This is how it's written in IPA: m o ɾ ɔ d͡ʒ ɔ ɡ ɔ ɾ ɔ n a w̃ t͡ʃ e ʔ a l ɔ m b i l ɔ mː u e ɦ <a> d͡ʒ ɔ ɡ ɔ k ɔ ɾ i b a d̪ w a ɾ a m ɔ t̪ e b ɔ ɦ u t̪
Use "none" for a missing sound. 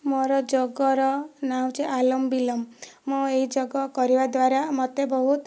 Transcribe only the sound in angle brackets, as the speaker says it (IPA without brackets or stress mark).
i